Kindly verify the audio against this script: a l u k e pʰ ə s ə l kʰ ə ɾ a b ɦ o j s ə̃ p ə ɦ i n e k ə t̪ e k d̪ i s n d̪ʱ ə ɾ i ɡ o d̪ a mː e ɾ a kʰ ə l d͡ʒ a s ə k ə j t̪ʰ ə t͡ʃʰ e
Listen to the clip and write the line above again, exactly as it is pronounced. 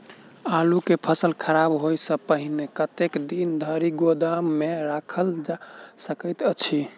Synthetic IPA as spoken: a l u k e pʰ ə s ə l kʰ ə ɾ a b ɦ o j s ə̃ p ə ɦ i n e k ə t̪ e k d̪ i n d̪ʱ ə ɾ i ɡ o d̪ a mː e ɾ a kʰ ə l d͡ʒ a s ə k ə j t̪ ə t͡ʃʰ i